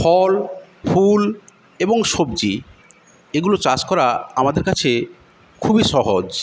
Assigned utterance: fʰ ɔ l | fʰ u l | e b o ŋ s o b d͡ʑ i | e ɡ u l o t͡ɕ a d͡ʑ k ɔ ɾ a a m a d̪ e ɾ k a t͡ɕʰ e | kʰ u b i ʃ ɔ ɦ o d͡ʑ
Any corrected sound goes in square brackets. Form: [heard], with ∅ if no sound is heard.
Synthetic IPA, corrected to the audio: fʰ ɔ l | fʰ u l | e b o ŋ [ʃ] o b d͡ʑ i | e ɡ u l o t͡ɕ a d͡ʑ k ɔ ɾ a a m a d̪ e ɾ k a t͡ɕʰ e | kʰ u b i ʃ ɔ ɦ o d͡ʑ